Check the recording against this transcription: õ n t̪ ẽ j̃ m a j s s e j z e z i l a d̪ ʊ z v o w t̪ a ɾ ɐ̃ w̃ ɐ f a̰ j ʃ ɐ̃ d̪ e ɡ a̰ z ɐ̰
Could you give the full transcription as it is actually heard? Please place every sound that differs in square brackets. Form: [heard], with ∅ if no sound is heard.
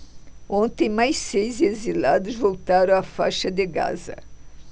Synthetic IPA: õ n t̪ ẽ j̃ m a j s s e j z e z i l a d̪ ʊ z v o w t̪ a ɾ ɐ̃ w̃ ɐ f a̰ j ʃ [ɐ] d̪ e ɡ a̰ z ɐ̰